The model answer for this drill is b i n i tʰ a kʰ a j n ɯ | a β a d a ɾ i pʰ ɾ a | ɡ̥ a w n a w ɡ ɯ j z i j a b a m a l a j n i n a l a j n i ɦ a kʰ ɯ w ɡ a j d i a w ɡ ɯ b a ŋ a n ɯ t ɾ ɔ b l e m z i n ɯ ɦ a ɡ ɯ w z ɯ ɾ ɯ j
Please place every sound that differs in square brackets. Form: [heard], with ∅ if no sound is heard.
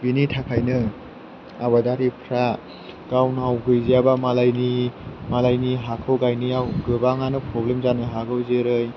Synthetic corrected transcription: b i n i tʰ a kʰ a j n ɯ | a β a d a ɾ i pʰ ɾ a | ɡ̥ a w n a w ɡ ɯ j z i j a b a m a l a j n i [m] a l a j n i ɦ a kʰ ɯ w ɡ a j [n] i a w ɡ ɯ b a ŋ a n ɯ [p] ɾ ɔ b l e m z [a] n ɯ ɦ a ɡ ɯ w z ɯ ɾ ɯ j